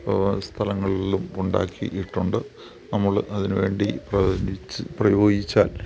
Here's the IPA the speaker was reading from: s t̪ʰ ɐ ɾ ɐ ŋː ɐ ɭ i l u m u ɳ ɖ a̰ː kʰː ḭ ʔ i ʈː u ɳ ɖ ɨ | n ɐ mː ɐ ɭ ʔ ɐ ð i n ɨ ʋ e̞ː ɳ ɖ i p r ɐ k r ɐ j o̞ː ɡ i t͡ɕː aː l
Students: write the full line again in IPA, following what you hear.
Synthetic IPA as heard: s t̪ʰ ɐ l ɐ ŋː ɐ ɭ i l u m u ɳ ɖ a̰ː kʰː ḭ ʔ i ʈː u ɳ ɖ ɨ | n ɐ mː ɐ ɭ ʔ ɐ ð i n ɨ ʋ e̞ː ɳ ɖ i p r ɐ p r ɐ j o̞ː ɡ i t͡ɕː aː l